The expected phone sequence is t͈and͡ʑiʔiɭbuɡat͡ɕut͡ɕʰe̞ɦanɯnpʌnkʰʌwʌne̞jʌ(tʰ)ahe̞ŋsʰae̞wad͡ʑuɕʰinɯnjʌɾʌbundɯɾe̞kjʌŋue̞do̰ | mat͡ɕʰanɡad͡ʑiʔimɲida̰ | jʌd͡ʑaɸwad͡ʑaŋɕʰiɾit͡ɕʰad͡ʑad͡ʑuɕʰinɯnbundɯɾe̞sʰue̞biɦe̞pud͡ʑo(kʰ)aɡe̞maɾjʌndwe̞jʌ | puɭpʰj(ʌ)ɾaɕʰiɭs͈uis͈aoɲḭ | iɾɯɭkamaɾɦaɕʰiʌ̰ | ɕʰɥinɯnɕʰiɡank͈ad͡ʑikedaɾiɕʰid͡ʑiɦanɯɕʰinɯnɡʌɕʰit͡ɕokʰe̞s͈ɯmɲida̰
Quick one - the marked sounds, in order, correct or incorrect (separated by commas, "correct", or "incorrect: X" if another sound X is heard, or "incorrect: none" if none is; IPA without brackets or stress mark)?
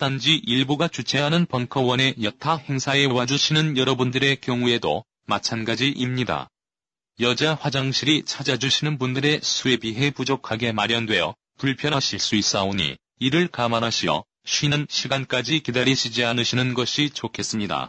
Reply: correct, correct, correct